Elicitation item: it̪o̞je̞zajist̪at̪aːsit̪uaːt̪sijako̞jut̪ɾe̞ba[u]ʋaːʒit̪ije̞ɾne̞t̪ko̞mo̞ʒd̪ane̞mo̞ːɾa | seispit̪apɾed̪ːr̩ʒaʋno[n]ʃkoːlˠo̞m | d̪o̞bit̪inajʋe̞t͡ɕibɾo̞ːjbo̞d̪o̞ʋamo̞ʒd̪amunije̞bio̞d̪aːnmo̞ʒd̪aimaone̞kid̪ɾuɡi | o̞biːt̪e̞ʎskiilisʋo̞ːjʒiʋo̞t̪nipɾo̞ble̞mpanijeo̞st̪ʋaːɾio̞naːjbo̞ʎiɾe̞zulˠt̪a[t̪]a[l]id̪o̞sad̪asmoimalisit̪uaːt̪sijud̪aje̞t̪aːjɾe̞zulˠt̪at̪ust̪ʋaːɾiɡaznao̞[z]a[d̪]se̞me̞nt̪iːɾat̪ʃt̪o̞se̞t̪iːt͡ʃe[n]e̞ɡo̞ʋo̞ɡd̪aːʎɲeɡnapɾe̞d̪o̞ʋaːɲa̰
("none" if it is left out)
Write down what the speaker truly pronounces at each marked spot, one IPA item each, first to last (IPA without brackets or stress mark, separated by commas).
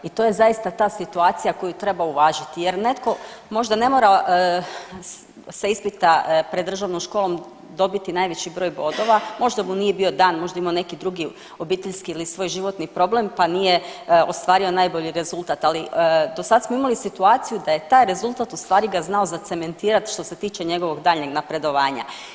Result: u, m, t̪, l, z, t̪, ɲ